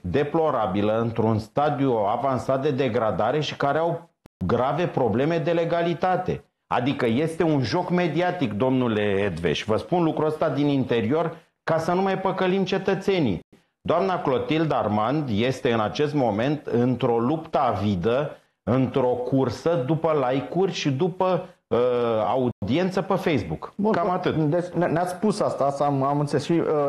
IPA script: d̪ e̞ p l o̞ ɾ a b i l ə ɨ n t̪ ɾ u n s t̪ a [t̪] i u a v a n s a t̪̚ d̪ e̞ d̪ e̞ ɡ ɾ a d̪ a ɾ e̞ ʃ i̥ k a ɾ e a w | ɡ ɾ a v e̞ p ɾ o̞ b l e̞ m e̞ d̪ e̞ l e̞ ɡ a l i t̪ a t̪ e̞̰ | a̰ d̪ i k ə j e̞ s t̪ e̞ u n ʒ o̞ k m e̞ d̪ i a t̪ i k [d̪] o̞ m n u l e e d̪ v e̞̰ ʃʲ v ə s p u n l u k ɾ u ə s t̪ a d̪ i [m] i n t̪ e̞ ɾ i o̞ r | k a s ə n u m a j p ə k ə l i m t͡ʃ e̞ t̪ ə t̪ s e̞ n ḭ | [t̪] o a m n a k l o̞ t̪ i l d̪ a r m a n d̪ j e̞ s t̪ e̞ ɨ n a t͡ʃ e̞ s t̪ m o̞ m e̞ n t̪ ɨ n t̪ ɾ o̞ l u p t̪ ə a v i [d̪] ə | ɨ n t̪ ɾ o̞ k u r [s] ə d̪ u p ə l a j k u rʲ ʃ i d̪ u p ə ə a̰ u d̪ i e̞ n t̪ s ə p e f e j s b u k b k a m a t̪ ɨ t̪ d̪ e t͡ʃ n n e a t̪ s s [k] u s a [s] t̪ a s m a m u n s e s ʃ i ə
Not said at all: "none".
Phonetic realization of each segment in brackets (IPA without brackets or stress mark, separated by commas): d̪, d̪, n, d̪, d̪, s, p, s